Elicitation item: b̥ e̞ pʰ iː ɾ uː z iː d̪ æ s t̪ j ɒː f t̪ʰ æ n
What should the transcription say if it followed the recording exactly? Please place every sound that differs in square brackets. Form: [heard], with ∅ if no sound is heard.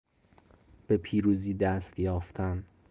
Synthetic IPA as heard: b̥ e̞ pʰ iː ɾ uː z iː d̪ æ s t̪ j ɒː f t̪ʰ æ n